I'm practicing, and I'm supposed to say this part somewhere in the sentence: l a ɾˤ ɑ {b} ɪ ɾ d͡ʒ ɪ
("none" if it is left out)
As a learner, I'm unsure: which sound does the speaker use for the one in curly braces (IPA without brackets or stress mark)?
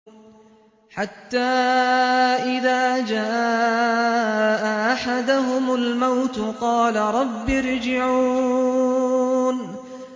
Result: bː